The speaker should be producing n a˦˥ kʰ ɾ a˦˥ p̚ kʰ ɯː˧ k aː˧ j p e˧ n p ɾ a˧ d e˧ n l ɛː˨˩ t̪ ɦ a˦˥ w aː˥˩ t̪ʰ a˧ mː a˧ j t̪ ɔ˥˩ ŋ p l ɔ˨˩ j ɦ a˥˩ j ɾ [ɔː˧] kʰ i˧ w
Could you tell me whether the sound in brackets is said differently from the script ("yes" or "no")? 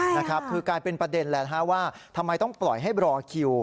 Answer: no